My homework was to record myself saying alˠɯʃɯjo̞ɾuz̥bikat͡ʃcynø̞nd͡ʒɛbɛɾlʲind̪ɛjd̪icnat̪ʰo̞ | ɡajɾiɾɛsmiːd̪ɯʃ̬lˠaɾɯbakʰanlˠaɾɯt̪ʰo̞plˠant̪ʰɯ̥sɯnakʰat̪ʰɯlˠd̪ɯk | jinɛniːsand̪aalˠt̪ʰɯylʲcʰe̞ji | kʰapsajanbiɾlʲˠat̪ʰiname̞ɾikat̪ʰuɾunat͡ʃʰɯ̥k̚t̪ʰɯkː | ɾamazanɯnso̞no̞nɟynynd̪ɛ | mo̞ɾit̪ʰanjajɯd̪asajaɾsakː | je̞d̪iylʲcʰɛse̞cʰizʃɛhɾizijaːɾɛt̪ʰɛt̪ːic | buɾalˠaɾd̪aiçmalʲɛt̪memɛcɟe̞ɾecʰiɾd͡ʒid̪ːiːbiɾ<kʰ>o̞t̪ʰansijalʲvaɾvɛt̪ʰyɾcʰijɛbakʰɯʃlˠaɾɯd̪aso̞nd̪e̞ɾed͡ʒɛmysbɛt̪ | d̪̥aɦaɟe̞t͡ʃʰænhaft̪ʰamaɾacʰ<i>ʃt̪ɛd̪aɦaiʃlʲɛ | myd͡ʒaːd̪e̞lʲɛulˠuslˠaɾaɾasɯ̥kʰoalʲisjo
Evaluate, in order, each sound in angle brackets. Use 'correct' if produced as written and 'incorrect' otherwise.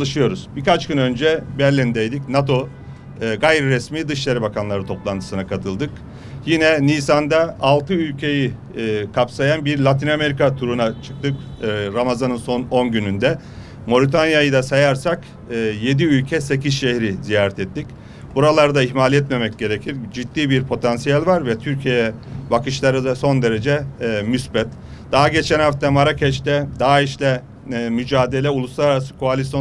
incorrect: pʰ, incorrect: ɛ

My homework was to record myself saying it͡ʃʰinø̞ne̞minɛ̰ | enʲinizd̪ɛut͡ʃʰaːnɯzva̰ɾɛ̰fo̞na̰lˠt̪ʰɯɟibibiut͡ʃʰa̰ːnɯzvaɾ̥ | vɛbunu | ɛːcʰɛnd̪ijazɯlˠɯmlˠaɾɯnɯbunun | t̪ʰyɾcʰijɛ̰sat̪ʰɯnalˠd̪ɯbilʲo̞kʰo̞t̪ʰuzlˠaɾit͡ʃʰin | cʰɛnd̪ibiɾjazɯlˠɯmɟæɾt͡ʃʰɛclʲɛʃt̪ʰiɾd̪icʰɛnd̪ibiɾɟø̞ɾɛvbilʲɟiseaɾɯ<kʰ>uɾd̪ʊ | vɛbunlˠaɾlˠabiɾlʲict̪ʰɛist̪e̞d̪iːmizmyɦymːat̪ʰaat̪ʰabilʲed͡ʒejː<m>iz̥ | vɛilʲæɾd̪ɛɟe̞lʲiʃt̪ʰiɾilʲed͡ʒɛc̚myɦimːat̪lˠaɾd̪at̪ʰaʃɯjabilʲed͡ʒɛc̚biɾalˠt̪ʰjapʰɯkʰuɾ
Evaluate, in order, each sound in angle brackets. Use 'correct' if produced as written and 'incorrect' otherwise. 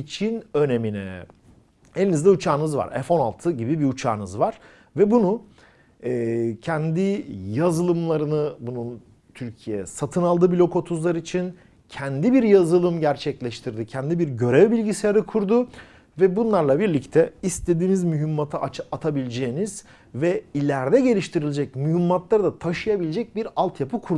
correct, incorrect: n

